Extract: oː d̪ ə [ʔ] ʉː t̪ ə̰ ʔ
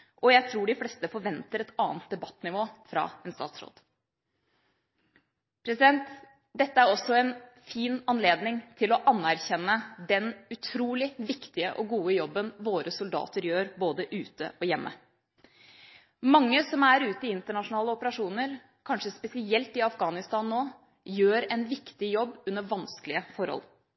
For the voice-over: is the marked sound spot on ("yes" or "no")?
yes